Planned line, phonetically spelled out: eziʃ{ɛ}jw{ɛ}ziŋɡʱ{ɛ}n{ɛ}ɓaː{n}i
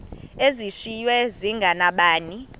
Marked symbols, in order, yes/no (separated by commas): no, yes, no, no, yes